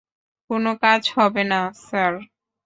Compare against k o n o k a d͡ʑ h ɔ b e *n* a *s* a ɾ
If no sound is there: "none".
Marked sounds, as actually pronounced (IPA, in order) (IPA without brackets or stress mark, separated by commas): n, s